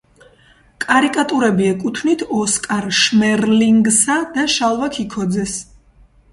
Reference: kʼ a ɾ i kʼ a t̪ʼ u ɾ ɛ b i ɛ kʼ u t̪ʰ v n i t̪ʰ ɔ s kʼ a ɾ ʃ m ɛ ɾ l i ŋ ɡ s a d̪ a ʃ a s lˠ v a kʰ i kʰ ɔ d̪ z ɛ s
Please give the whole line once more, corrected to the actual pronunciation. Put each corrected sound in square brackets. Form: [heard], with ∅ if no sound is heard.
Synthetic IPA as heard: kʼ a ɾ i kʼ a t̪ʼ u ɾ ɛ b i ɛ kʼ u t̪ʰ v n i t̪ʰ ɔ s kʼ a ɾ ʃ m ɛ ɾ l i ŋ ɡ s a d̪ a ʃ a [∅] lˠ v a kʰ i kʰ ɔ d̪ z ɛ s